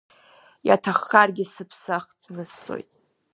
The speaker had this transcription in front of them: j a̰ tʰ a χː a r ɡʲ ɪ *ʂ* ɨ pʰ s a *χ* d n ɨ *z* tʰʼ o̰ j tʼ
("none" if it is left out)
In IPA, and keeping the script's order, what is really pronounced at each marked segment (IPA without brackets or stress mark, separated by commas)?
s, χ, s